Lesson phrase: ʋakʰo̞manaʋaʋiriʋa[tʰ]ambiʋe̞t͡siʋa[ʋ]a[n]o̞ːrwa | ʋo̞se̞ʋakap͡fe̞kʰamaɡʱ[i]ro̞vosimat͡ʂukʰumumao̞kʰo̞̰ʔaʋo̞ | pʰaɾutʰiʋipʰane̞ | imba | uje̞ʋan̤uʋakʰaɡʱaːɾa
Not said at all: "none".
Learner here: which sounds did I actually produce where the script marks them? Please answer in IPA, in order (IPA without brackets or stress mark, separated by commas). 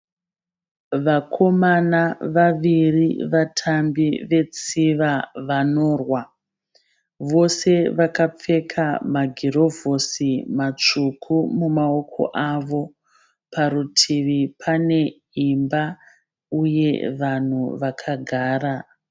tʰ, ʋ, n, i